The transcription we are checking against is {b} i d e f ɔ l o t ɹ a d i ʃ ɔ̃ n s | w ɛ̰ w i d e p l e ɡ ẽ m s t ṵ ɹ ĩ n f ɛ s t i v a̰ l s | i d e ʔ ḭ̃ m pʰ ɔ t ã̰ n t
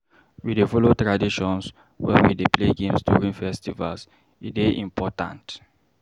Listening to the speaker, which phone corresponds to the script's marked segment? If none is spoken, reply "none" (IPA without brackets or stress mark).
w